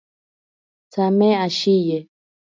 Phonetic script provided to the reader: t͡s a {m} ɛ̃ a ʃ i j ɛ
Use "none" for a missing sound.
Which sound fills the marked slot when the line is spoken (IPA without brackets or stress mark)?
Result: m